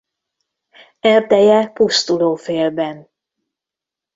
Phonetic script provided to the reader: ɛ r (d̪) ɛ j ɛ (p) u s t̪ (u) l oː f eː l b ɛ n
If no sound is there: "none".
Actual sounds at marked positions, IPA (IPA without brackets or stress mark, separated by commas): d̪, p, u